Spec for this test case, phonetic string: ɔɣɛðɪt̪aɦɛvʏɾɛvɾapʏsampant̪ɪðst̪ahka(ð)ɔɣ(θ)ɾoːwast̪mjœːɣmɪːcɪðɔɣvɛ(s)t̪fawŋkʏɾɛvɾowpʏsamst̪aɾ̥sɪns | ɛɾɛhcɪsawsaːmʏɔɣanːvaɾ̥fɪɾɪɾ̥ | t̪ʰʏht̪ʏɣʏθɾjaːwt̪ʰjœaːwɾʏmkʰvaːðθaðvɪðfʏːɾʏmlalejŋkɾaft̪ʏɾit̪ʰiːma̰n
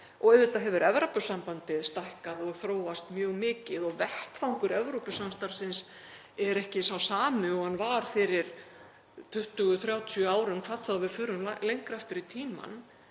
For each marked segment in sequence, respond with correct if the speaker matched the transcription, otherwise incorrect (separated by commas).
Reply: correct, correct, incorrect